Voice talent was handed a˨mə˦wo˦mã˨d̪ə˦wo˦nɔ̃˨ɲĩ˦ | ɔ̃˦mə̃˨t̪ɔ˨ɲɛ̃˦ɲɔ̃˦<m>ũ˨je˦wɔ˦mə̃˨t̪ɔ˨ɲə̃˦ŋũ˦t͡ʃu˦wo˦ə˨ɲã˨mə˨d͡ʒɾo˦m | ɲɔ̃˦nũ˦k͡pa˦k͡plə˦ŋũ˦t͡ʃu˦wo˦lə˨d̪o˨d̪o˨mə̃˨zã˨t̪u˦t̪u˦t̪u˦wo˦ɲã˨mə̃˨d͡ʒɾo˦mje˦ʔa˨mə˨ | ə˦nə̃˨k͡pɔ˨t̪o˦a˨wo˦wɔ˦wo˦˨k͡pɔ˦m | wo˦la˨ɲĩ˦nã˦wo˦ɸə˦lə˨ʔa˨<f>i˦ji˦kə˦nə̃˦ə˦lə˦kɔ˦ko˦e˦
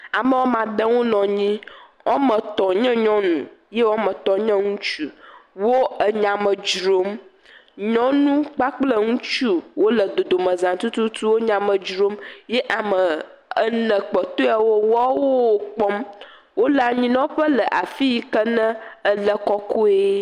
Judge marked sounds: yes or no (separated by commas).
no, yes